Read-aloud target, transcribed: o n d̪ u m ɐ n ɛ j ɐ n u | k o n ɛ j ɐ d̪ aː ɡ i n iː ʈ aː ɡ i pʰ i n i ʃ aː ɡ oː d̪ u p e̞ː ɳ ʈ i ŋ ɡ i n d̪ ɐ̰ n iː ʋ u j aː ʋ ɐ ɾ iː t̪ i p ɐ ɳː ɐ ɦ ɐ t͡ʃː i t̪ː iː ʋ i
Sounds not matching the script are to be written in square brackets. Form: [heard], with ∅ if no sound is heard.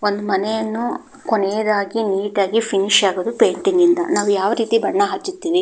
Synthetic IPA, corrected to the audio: o n d̪ u m ɐ n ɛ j ɐ [nː] u | k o n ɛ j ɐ d̪ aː ɡ i n iː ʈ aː ɡ i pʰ i n i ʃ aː ɡ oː d̪ u p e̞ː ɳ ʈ i ŋ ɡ i n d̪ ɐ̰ n [aː] ʋ u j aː ʋ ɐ ɾ iː t̪ i [b] ɐ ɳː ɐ ɦ ɐ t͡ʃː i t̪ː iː ʋ i